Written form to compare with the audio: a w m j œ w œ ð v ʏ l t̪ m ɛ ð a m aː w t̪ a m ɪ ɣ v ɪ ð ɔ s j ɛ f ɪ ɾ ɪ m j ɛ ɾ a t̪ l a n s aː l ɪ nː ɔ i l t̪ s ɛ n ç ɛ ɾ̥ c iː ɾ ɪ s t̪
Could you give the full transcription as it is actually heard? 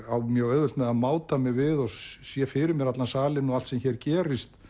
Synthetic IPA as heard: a w m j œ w œ ð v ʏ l t̪ m ɛ ð a m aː w t̪ a m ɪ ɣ v ɪ ð ɔ s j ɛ f ɪ ɾ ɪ m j ɛ ɾ a t̪ l a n s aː l ɪ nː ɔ a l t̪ s ɛ m ç ɛ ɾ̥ c ɛː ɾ ɪ s t̪